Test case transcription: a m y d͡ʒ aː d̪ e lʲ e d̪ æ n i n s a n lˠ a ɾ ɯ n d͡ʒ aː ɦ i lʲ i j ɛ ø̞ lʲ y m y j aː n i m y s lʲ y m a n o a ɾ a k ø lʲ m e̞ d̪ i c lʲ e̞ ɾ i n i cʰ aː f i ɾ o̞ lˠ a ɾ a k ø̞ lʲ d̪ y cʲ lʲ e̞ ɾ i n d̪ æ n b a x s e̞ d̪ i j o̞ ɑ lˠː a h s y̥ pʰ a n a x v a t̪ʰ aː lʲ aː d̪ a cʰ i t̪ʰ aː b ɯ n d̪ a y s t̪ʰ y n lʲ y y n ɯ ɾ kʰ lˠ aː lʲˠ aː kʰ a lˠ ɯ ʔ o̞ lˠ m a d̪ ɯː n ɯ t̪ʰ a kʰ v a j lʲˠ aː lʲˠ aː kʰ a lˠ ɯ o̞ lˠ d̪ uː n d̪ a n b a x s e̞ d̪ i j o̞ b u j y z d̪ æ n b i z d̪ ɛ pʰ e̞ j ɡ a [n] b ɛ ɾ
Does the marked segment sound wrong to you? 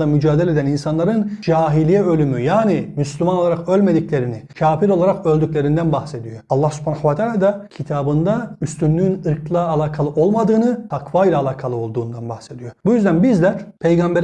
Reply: yes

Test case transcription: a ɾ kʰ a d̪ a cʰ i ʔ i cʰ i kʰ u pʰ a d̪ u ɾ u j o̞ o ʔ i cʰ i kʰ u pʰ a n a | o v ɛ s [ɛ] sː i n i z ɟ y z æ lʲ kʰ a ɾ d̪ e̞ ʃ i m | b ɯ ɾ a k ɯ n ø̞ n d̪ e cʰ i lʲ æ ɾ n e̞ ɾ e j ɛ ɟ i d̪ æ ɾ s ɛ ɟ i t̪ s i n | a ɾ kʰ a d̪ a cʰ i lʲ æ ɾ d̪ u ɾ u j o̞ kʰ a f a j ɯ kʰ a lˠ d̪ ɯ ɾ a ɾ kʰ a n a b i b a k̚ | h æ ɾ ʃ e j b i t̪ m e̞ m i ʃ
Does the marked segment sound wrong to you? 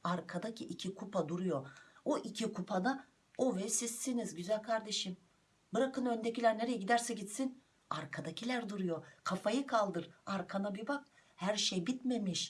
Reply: yes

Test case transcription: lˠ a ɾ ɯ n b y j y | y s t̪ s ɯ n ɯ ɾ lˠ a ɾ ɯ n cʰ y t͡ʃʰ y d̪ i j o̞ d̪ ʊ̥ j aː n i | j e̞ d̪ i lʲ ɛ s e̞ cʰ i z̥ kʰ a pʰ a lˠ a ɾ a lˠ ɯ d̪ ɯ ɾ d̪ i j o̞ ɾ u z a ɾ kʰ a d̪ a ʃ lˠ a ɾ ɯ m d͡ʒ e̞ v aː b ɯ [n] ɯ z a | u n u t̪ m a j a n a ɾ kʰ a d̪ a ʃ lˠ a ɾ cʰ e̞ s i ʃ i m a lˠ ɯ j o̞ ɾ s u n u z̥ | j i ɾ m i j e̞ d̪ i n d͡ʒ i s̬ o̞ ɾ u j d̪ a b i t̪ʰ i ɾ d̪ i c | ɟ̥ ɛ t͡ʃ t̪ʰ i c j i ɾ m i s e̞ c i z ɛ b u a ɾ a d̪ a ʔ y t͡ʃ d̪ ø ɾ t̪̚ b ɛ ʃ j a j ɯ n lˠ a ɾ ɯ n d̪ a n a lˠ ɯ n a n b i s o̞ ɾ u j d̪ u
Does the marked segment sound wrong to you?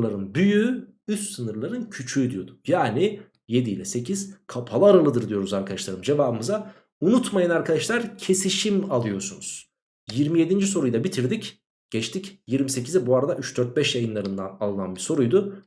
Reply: yes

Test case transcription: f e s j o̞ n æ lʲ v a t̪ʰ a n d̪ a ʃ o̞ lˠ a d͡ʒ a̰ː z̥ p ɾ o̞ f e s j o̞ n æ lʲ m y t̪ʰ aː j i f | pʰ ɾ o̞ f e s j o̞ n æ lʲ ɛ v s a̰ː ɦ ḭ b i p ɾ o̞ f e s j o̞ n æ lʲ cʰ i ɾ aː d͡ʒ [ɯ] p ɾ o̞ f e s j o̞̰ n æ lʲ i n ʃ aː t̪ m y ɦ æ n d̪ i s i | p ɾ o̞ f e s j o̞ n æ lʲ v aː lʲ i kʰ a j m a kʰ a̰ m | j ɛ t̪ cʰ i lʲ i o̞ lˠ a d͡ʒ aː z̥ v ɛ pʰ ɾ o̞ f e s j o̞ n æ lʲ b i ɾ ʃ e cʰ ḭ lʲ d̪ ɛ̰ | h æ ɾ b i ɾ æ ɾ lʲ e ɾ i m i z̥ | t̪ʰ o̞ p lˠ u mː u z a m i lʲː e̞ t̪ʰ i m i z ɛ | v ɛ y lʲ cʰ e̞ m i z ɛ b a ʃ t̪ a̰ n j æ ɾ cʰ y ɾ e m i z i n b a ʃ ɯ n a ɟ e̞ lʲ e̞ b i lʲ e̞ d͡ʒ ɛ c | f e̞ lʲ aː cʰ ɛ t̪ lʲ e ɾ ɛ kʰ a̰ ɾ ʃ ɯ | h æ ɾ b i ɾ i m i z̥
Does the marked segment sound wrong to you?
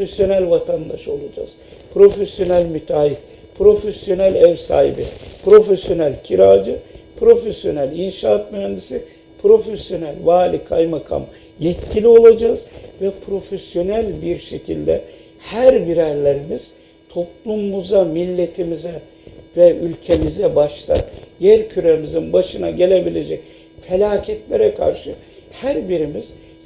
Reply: no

